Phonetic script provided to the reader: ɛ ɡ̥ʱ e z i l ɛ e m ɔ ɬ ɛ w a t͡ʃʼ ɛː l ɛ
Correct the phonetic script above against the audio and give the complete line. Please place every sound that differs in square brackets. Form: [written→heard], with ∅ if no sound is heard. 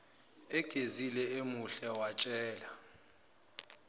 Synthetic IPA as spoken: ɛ ɡ̥ʱ e z i l ɛ e m [ɔ→u] ɬ ɛ w a t͡ʃʼ ɛː l [ɛ→a]